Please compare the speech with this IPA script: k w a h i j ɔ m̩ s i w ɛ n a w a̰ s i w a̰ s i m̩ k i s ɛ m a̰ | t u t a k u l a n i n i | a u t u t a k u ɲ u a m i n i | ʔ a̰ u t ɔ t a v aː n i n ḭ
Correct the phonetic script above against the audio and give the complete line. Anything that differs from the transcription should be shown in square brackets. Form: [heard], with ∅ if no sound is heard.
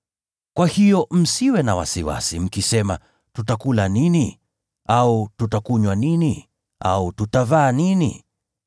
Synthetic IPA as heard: k w a h i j ɔ m̩ s i w ɛ n a w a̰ s i w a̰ s i m̩ k i s ɛ m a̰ | t u t a k u l a n i n i | a u t u t a k u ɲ [w] a [n] i n i | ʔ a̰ u t [u] t a v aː n i n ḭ